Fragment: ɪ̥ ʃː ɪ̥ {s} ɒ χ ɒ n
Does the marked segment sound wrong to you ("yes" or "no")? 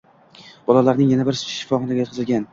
yes